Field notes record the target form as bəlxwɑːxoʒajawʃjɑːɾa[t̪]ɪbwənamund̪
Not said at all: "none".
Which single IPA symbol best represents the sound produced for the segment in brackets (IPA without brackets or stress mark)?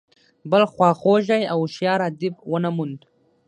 d̪